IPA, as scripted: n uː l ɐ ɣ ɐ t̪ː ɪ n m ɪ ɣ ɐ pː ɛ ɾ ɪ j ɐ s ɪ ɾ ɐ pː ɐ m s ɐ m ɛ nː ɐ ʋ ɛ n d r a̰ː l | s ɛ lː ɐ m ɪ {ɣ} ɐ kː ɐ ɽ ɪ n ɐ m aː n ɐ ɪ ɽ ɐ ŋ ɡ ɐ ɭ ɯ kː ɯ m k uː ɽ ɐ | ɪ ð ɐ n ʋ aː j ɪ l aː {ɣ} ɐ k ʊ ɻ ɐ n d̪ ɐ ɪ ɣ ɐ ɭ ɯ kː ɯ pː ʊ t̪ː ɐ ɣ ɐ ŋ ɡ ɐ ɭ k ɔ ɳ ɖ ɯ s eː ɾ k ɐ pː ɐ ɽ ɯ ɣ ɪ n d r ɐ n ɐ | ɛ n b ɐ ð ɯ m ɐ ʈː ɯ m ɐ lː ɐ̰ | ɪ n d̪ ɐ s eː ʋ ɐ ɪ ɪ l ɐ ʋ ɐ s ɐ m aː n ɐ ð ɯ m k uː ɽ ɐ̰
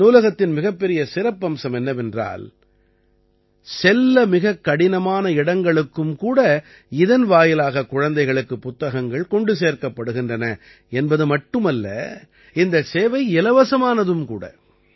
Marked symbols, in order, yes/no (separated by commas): yes, yes